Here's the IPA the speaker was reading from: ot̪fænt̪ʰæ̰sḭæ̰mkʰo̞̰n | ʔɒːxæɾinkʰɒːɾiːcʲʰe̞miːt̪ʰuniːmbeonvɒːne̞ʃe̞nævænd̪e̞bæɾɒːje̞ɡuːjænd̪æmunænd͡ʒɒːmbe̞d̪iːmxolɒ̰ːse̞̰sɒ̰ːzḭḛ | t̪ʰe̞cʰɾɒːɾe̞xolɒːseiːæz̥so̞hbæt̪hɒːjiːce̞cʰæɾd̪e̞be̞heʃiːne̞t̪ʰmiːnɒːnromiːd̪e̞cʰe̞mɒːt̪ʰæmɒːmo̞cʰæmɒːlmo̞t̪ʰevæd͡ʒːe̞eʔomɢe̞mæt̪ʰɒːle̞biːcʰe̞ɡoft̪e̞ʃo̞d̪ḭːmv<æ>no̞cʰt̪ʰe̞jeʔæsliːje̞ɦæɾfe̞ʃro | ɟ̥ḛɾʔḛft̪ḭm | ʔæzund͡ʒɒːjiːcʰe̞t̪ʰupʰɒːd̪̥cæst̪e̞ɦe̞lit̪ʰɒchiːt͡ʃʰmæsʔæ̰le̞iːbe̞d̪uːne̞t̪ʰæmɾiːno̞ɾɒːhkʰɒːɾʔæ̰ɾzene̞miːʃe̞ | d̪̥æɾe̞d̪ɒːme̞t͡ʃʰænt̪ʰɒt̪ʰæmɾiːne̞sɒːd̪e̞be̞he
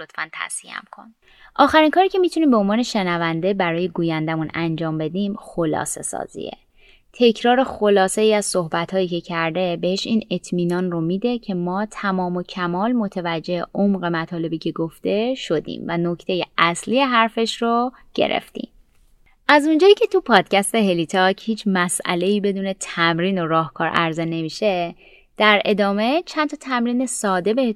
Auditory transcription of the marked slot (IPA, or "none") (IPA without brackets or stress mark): æ